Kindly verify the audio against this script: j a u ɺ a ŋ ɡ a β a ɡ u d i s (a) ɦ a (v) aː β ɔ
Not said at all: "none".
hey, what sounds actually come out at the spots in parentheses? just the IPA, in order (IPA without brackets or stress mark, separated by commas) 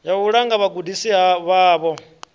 i, β